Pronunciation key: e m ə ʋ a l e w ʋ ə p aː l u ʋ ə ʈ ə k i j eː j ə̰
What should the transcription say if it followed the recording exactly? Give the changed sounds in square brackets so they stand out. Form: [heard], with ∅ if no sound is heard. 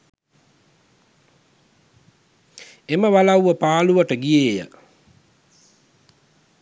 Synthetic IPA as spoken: e m ə ʋ a l [a] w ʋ ə p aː l u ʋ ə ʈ ə [ɡ] i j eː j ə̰